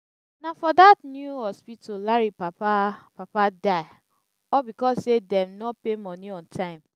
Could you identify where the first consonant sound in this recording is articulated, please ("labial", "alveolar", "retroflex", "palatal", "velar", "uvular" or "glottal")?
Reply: alveolar